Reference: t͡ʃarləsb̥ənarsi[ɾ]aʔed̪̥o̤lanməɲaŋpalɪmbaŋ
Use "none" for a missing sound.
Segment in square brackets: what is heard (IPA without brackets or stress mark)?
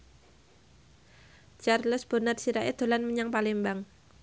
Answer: ɾ